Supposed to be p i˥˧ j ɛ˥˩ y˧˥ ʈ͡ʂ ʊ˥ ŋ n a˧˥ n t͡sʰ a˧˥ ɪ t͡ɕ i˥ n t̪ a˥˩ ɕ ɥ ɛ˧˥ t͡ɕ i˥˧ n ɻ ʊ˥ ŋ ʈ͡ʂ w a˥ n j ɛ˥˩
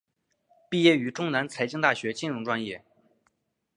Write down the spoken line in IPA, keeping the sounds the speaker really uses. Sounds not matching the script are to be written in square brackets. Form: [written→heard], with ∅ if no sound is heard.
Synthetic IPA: p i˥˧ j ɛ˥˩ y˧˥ ʈ͡ʂ ʊ˥ ŋ n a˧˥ n t͡sʰ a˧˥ ɪ t͡ɕ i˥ [n→ŋ] t̪ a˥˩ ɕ ɥ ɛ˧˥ t͡ɕ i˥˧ n ɻ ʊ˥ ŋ ʈ͡ʂ w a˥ n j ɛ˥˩

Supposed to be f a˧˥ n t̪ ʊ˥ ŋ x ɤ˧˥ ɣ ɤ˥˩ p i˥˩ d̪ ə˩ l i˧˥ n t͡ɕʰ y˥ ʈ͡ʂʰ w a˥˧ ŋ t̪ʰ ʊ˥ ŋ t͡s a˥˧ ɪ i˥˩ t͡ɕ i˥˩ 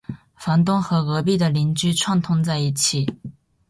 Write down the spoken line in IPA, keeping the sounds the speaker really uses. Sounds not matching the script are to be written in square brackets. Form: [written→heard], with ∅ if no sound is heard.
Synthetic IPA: f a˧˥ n t̪ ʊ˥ ŋ x ɤ˧˥ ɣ [ɤ˥˩→ɤ˧˥] p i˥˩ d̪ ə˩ l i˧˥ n [t͡ɕʰ→t͡ɕ] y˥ ʈ͡ʂʰ w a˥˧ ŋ t̪ʰ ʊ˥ ŋ t͡s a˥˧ ɪ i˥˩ [t͡ɕ→t͡ɕʰ] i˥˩

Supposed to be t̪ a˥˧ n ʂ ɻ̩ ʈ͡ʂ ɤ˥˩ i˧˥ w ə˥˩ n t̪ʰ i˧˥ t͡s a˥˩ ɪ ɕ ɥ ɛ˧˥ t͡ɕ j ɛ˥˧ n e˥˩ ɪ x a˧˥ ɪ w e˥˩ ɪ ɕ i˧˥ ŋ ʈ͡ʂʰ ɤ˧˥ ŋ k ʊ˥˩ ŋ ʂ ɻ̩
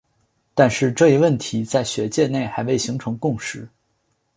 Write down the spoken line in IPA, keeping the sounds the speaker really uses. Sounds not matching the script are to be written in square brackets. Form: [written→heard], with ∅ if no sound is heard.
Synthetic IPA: t̪ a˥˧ n ʂ ɻ̩ ʈ͡ʂ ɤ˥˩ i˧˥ w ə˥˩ n t̪ʰ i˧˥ t͡s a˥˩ ɪ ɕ ɥ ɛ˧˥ t͡ɕ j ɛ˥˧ n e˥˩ ɪ x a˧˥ ɪ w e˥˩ ɪ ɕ i˧˥ ŋ ʈ͡ʂʰ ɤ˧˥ ŋ k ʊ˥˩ ŋ ʂ ɻ̩

